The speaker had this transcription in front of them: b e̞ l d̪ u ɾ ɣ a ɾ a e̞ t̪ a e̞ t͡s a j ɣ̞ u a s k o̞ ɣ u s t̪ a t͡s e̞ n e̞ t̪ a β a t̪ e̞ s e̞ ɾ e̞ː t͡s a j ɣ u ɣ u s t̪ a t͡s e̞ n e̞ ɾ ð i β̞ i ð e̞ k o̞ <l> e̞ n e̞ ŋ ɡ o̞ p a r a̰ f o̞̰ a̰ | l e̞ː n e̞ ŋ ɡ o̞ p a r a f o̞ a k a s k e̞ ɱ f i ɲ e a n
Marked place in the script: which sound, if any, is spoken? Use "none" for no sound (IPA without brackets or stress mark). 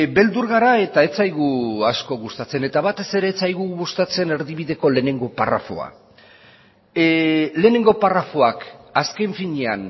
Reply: l